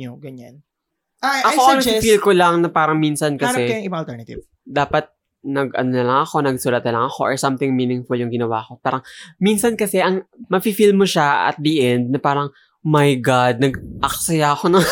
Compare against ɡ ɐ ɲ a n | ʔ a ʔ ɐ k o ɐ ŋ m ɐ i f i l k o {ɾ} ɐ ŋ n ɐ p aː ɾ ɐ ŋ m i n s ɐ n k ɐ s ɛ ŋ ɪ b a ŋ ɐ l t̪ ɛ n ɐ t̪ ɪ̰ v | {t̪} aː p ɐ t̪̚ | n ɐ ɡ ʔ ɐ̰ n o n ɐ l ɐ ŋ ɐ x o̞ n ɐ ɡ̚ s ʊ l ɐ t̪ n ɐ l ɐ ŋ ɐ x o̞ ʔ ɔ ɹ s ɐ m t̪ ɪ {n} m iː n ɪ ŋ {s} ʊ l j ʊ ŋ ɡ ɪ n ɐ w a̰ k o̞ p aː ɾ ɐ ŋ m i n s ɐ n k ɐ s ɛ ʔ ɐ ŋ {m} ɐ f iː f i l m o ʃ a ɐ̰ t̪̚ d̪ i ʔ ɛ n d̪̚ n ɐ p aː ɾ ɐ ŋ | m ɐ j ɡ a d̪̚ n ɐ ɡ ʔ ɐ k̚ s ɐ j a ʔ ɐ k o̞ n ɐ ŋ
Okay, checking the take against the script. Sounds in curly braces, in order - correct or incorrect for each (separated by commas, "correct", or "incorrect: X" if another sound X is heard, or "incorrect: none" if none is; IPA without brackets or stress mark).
incorrect: l, incorrect: d̪, incorrect: ŋ, incorrect: f, correct